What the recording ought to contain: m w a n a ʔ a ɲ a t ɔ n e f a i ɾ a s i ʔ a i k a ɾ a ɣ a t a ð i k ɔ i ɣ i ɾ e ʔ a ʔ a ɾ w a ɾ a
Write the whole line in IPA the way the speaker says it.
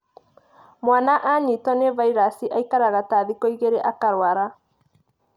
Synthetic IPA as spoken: m w a n a ʔ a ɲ i t ɔ n e v a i ɾ a s i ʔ a i k a ɾ a ɣ a t a ð i k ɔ i ɣ e ɾ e ʔ a k a ɾ w a ɾ a